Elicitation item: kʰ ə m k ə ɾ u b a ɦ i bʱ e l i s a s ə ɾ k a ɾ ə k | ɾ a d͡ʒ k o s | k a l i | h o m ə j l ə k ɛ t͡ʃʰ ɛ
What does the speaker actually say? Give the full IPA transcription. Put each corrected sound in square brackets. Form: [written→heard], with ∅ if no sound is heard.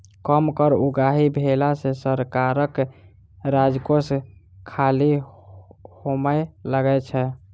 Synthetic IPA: [kʰ→k] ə m k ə ɾ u [b→ɡ] a ɦ i bʱ e l [i→a] s [a→e] s ə ɾ k a ɾ ə k | ɾ a d͡ʒ k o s | [k→kʰ] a l i | h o m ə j l ə [k→ɡ] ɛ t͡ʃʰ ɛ